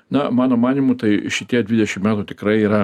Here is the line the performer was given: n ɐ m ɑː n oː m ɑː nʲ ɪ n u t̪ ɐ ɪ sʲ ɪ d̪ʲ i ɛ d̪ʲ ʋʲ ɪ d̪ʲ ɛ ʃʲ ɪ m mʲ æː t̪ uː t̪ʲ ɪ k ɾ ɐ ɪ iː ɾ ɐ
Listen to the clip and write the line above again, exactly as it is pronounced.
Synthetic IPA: n ɐ m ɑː n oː m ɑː nʲ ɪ m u t̪ ɐ ɪ ʃʲ ɪ t̪ʲ i ɛ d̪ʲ ʋʲ ɪ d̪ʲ ɛ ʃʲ ɪ m mʲ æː t̪ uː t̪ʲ ɪ k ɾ ɐ ɪ iː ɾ ɐ